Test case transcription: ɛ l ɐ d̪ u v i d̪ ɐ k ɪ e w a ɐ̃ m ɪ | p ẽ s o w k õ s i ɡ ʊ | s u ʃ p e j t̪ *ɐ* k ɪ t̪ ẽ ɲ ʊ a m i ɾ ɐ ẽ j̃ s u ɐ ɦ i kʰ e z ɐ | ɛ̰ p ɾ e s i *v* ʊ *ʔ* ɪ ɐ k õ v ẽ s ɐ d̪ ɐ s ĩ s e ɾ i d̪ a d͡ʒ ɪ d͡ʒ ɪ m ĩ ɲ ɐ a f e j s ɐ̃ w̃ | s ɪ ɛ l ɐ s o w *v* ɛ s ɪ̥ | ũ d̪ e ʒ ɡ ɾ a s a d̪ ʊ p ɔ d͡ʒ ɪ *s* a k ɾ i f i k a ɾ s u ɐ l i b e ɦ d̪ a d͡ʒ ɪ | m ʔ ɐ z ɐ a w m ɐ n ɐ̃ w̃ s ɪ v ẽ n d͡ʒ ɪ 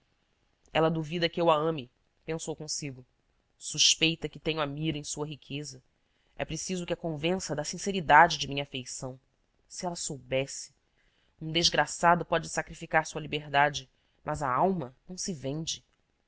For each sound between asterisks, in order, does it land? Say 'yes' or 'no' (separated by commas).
yes, no, no, no, yes